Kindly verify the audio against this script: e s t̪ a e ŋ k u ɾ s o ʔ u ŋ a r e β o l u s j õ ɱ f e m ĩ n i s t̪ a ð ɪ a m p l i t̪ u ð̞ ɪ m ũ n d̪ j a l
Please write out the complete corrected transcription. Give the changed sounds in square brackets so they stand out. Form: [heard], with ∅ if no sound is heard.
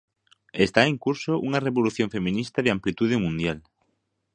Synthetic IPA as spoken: e s t̪ a e ŋ k u ɾ s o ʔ u ŋ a r e β o l u [θ] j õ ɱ f e m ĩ n i s t̪ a ð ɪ a m p l i t̪ u ð̞ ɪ m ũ n d̪ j a l